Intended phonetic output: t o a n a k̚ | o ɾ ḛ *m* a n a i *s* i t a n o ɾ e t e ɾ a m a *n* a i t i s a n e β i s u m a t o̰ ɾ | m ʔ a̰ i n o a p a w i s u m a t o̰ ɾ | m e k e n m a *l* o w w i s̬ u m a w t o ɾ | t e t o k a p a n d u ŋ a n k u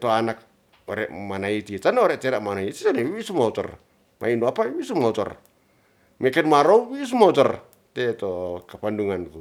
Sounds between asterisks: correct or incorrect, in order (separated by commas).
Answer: correct, incorrect, correct, incorrect